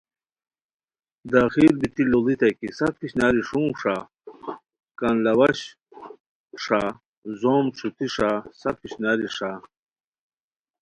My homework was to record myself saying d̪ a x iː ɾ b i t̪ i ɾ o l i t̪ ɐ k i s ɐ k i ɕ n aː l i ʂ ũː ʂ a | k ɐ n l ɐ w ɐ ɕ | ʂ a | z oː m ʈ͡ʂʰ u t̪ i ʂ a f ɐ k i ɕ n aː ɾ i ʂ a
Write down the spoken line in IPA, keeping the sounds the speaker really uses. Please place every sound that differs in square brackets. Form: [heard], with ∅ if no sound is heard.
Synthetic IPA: d̪ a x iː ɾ b i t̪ i [l] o l i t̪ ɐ k i s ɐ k i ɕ n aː [ɾ] i ʂ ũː ʂ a | k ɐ n l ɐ w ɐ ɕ | ʂ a | z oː m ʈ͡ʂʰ u t̪ i ʂ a [s] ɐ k i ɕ n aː ɾ i ʂ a

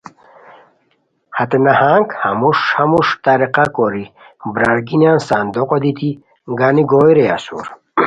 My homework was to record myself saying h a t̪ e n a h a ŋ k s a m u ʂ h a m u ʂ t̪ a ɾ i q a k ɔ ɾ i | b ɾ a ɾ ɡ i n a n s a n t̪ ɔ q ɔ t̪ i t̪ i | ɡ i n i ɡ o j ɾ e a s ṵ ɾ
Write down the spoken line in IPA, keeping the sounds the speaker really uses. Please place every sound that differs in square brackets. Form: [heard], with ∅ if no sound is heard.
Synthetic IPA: h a t̪ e n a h a ŋ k [h] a m u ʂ h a m u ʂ t̪ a ɾ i q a k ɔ ɾ i | b ɾ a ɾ ɡ i n a n s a n [d̪] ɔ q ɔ [d̪] i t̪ i | ɡ [a] n i ɡ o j ɾ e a s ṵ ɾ

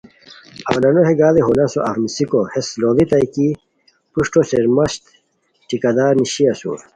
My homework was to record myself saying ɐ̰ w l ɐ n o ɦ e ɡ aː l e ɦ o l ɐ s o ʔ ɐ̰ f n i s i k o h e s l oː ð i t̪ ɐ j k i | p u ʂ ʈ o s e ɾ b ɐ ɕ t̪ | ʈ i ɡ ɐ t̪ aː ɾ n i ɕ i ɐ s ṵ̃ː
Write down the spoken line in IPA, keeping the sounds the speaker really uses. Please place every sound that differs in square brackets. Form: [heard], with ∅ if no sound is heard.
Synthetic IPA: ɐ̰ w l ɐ n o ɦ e ɡ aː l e ɦ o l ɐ s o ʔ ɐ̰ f n i s i k o h e s l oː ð i t̪ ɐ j k i | p u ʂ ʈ o s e ɾ [m] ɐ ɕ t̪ | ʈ i [k] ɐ [d̪] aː ɾ n i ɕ i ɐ s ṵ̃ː

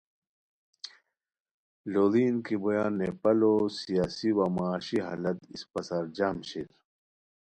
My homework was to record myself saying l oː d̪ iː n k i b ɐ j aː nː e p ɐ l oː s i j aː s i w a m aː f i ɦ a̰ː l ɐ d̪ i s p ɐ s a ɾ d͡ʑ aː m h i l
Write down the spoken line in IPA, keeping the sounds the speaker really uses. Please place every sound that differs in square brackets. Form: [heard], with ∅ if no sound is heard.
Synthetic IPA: l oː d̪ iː n k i b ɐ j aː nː e p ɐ l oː s i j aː s i w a m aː [ɕ] i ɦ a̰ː l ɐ [t̪] i s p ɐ s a ɾ d͡ʑ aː m [ɕ] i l

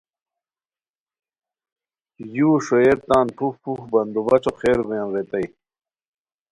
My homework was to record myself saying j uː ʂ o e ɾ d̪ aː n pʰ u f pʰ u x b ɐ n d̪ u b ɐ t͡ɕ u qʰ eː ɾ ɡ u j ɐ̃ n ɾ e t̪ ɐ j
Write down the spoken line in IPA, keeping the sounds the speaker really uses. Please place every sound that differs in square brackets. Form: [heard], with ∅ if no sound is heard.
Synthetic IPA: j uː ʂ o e ɾ [t̪] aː n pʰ u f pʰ u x b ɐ n d̪ u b ɐ t͡ɕ [o] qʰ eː ɾ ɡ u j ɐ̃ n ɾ e t̪ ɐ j

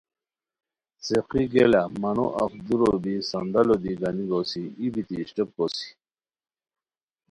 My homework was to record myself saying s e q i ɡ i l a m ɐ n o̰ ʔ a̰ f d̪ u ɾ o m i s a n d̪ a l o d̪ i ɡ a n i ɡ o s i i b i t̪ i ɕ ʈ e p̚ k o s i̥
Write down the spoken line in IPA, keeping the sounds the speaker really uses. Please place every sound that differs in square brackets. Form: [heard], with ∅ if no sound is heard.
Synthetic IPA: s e q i ɡ [e] l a m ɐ n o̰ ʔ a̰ f d̪ u ɾ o [b] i s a n d̪ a l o d̪ i ɡ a n i ɡ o s i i b i t̪ i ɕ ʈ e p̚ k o s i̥

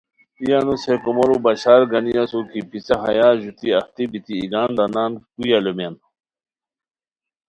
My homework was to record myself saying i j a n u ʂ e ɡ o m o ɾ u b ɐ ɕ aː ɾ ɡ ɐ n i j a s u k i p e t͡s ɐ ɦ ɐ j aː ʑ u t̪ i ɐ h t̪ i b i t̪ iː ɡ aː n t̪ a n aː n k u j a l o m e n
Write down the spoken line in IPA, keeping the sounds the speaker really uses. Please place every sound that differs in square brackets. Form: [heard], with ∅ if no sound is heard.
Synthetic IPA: i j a n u [s] e [k] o m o ɾ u b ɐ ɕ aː ɾ ɡ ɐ n i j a s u k i p [i] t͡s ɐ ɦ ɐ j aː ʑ u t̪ i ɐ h t̪ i b i t̪ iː ɡ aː n [d̪] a n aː n k u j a l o m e n

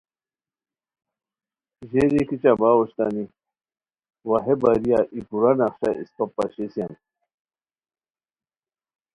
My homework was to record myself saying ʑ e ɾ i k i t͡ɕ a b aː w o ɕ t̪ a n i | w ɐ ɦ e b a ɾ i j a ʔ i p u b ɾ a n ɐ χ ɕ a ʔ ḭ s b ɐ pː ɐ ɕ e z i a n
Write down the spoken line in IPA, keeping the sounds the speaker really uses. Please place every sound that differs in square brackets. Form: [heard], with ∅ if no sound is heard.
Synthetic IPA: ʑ e ɾ i k i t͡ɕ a b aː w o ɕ t̪ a n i | w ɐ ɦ e b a ɾ i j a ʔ i p u [∅] ɾ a n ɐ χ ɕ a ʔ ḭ s [p] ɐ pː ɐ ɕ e [s] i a n

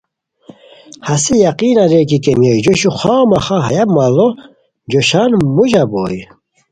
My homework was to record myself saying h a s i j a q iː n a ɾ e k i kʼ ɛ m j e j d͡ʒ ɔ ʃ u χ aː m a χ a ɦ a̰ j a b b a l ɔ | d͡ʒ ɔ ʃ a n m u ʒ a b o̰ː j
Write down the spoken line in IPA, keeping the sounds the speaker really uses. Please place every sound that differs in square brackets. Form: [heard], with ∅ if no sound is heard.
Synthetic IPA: h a s i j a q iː n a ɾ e k i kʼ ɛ m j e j d͡ʒ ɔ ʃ u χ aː m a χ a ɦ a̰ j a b [m] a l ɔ | d͡ʒ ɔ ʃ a n m u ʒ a b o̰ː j

